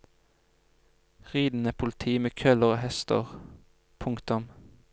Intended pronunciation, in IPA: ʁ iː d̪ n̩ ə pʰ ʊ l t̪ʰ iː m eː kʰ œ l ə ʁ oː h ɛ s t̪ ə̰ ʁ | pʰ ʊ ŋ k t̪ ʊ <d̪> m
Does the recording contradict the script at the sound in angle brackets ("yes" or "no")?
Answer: yes